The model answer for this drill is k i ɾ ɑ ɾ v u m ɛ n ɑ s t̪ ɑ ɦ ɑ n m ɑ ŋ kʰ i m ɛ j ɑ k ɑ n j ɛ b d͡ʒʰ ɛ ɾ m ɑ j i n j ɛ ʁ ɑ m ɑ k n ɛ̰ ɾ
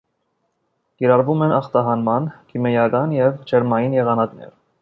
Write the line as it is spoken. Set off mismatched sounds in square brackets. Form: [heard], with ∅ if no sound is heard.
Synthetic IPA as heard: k i ɾ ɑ ɾ v u m ɛ n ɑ [χ] t̪ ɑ ɦ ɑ n m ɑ [n] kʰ i m ɛ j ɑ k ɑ n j ɛ [v] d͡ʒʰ ɛ ɾ m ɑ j i n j ɛ ʁ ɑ [n] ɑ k n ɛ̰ ɾ